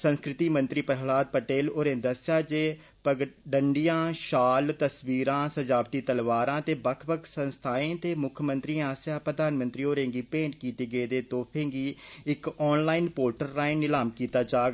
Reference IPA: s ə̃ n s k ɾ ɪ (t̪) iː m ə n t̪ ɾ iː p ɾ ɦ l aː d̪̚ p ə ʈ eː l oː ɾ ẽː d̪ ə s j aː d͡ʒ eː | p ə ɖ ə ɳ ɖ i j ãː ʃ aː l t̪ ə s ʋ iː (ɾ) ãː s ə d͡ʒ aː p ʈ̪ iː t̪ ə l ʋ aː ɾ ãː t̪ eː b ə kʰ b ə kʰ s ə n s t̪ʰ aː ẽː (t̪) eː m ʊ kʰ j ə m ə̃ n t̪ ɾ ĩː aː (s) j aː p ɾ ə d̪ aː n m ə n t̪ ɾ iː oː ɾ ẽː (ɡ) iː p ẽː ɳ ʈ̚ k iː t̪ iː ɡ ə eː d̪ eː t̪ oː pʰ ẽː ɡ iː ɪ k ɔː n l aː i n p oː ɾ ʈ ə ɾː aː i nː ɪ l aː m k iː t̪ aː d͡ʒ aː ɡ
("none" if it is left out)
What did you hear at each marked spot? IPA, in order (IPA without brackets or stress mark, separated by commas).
t̪, ɾ, t̪, s, ɡ